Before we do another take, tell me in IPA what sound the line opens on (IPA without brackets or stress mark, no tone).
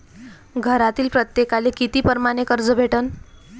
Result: ɡʱ